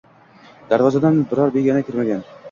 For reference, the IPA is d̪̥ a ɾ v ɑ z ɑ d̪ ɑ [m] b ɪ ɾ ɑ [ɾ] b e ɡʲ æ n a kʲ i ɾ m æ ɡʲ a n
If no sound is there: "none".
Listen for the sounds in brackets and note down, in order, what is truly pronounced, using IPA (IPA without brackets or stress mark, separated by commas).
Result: n, ɾ